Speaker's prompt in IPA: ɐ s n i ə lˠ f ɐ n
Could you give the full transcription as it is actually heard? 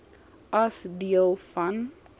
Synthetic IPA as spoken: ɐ s d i ə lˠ f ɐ n